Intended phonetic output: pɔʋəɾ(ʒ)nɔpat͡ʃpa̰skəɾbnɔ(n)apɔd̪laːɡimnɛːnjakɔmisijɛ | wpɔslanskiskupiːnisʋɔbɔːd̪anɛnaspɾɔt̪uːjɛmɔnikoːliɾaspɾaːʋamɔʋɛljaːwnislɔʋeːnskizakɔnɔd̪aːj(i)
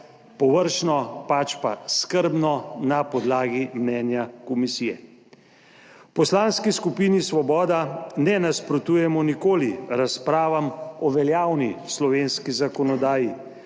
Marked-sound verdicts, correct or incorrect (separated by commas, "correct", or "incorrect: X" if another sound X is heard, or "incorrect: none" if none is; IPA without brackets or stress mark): incorrect: ʃ, correct, correct